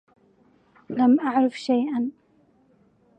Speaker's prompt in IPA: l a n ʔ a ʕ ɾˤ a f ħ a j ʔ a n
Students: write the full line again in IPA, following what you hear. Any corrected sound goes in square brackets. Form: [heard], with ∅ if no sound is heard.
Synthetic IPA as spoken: l a [m] ʔ a ʕ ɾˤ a f [ʃ] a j ʔ a n